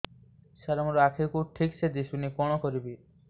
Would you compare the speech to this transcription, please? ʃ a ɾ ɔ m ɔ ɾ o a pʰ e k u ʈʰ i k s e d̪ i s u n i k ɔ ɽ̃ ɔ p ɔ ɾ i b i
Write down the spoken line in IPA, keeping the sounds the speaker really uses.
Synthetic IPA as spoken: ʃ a ɾ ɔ m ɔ ɾ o a kʰ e k u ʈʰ i k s e d̪ i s u n i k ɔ ɽ̃ ɔ k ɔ ɾ i b i